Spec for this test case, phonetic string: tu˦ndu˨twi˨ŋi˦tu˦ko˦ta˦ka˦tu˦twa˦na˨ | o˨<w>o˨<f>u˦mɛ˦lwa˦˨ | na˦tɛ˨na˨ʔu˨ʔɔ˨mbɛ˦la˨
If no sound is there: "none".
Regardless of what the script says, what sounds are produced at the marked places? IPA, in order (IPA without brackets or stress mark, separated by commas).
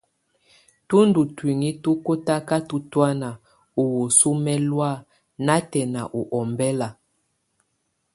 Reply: w, s